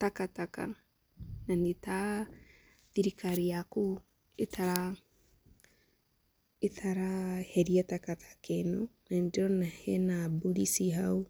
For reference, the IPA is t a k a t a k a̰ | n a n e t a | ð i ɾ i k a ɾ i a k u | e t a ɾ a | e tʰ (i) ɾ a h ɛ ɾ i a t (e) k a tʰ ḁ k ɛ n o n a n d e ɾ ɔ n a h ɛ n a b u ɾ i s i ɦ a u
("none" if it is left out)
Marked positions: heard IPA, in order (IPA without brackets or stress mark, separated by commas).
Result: a, a